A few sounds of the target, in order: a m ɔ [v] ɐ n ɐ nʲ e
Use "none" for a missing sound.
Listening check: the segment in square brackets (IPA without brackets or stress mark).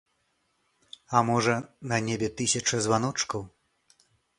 ʐ